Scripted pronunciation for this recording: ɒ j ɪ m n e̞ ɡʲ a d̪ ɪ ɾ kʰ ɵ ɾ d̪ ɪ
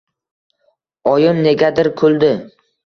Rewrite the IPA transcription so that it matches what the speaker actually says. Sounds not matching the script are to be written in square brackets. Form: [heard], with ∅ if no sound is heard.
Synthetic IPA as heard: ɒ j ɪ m n e̞ ɡʲ a d̪ ɪ ɾ kʰ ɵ [l] d̪ ɪ